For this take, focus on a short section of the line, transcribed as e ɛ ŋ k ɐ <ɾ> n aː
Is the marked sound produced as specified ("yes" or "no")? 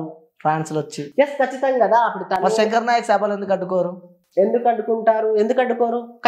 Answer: yes